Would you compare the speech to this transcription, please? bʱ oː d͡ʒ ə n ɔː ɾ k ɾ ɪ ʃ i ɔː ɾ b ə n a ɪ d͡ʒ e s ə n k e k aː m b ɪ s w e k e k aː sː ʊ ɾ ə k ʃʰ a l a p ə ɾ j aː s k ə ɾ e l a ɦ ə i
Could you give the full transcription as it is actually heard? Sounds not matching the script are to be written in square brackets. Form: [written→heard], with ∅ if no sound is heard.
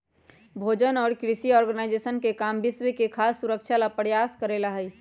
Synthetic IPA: bʱ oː d͡ʒ ə n ɔː ɾ k ɾ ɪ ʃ i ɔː ɾ [b→ɡ] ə n a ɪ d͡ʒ e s ə n k e k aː m b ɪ s w e k e [k→kʰ] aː sː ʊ ɾ ə k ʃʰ a l a p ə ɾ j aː s k ə ɾ e l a ɦ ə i